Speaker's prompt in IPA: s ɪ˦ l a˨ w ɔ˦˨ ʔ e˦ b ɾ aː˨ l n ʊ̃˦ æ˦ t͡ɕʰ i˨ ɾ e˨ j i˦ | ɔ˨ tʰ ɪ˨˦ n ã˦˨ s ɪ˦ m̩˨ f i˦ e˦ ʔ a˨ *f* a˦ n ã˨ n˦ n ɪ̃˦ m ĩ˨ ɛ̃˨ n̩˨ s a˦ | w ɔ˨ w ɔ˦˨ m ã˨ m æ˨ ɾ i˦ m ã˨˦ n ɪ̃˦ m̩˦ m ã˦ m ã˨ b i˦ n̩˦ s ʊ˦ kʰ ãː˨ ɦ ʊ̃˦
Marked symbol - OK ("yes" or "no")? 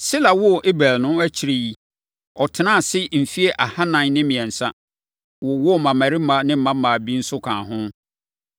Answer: no